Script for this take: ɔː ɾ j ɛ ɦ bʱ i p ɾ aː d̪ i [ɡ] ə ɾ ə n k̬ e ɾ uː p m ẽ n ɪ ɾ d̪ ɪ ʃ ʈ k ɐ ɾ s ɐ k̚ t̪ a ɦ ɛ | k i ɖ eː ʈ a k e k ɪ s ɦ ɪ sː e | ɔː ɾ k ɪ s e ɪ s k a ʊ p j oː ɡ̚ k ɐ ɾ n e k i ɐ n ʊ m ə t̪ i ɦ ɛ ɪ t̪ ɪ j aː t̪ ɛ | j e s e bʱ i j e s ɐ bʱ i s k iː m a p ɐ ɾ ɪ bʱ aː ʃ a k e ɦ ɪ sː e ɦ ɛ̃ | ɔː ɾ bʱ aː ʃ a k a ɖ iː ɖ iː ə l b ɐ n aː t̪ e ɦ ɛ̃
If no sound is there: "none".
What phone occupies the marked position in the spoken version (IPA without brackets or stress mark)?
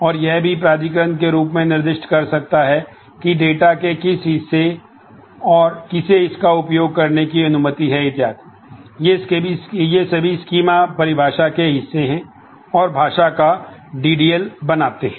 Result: k